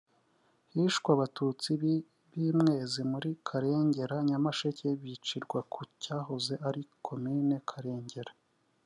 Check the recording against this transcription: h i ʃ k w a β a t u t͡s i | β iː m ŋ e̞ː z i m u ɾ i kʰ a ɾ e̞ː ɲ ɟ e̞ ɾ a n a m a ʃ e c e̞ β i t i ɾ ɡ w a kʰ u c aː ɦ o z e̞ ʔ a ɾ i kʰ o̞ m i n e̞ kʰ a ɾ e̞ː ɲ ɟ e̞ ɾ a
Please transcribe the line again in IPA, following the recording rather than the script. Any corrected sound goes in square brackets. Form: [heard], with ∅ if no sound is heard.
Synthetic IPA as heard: h i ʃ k w a β a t u t͡s i | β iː m ŋ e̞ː z i m u ɾ i kʰ a ɾ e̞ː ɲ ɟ e̞ ɾ a [ɲ] a m a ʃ e c e̞ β i [t͡ʃ] i ɾ ɡ w a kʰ u c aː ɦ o z e̞ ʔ a ɾ i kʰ o̞ m i n e̞ kʰ a ɾ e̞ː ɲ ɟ e̞ ɾ a